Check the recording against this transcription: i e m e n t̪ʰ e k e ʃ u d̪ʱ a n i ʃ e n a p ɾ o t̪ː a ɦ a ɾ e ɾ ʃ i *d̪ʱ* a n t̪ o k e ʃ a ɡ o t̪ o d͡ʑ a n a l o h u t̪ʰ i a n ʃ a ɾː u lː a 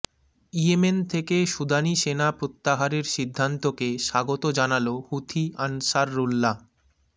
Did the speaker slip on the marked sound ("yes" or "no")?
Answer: yes